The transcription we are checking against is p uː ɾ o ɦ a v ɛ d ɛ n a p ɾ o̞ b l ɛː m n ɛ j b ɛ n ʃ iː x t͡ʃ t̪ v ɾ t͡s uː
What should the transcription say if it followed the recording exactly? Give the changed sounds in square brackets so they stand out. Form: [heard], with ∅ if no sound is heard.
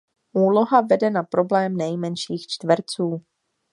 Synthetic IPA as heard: [ʔ] uː [l] o ɦ a v ɛ d ɛ n a p ɾ o̞ b l ɛː m n ɛ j [m] ɛ n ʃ iː x t͡ʃ t̪ v ɾ t͡s uː